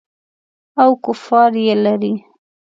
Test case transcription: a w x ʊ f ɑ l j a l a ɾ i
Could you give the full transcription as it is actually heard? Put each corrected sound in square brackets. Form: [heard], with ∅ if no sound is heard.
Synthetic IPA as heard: a w [k] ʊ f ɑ [ɾ] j [e] l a ɾ i